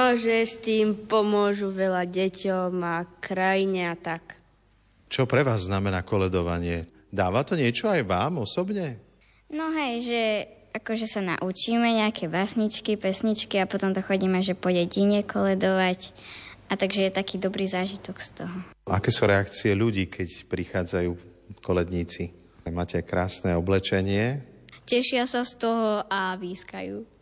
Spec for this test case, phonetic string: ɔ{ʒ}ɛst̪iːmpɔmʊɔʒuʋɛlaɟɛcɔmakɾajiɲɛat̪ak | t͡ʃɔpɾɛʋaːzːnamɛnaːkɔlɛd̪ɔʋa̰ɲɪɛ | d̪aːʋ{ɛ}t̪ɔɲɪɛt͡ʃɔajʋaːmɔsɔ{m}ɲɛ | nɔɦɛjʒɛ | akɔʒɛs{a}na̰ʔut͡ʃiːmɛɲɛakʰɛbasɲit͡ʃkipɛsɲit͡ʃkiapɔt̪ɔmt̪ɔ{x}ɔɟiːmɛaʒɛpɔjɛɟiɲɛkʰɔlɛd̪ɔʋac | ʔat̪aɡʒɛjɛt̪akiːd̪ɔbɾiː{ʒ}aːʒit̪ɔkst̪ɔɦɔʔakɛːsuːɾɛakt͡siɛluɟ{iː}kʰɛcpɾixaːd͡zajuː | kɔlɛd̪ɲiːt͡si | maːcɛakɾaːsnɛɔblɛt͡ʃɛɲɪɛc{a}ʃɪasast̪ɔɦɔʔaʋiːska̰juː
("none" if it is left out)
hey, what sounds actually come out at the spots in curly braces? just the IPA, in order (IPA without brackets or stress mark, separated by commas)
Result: ʒ, a, b, a, x, z, iː, ɛ